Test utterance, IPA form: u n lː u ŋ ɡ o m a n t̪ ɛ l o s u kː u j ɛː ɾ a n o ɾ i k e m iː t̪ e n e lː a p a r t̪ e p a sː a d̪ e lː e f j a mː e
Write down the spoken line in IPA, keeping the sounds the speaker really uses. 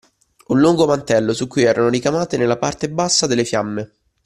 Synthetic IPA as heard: u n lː u ŋ ɡ o m a n t̪ ɛ lː o s u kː u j ɛː ɾ a n o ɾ i k a m aː t̪ e n e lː a p a r t̪ e b a sː a d̪ e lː e f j a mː e